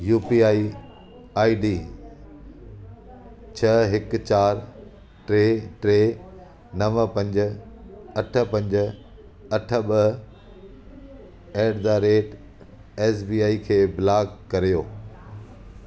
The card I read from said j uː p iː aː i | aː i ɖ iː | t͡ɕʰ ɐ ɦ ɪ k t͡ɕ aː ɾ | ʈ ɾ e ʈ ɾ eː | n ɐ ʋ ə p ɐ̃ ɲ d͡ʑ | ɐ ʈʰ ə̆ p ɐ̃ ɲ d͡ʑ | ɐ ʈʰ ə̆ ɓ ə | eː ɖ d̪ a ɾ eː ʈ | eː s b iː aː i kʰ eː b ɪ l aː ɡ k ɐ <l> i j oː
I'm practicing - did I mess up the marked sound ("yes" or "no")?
yes